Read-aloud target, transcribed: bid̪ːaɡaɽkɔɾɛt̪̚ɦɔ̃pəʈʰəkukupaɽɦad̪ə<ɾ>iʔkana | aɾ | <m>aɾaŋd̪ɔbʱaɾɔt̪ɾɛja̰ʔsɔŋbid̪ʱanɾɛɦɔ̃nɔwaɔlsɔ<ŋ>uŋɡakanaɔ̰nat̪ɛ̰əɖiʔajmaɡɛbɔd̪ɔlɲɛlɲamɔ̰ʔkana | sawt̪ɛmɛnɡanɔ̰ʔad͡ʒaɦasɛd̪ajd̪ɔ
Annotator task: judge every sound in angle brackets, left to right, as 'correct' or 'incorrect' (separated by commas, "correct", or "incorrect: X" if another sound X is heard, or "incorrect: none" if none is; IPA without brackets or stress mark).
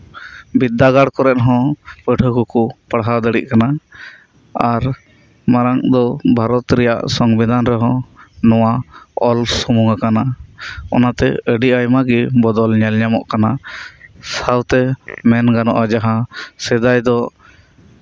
incorrect: ɽ, correct, incorrect: m